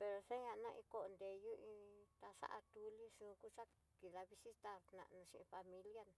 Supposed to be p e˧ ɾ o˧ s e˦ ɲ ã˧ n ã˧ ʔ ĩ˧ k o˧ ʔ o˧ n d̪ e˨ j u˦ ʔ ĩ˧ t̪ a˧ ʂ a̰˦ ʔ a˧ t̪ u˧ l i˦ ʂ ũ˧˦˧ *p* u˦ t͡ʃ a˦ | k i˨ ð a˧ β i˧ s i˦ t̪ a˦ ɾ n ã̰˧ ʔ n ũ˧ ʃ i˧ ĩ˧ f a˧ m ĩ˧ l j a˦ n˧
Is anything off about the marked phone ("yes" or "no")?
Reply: yes